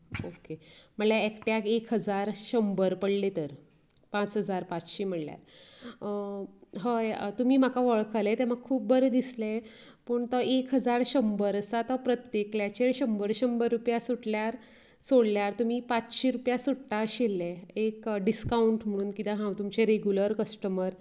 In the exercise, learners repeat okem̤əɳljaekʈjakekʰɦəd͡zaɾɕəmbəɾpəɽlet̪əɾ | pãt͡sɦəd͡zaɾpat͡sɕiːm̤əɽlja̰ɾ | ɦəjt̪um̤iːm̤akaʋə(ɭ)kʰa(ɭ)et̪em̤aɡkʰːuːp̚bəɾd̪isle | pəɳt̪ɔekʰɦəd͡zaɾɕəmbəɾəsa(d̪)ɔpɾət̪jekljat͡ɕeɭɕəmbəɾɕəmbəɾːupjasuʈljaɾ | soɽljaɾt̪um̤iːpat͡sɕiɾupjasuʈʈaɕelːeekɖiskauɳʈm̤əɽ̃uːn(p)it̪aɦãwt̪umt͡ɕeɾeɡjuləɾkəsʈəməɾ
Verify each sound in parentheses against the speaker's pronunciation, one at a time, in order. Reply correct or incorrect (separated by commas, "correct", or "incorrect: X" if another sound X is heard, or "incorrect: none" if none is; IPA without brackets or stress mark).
correct, incorrect: l, incorrect: t̪, incorrect: k